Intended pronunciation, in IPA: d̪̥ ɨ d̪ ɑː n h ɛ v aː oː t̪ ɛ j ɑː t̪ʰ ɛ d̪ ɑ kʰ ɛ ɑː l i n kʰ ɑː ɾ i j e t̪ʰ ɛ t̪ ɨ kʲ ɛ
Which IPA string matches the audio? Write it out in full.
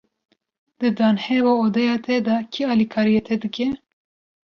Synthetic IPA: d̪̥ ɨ d̪ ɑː n h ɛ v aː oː d̪ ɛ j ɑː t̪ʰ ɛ d̪ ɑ kʰ i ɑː l i kʰ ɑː ɾ i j e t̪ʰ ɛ d̪ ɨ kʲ ɛ